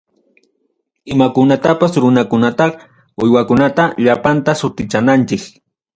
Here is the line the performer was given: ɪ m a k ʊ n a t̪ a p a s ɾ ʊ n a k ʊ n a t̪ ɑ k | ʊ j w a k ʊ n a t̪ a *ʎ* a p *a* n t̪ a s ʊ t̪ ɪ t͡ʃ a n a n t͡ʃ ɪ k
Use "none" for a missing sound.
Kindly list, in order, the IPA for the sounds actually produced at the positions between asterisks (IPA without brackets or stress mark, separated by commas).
ʎ, a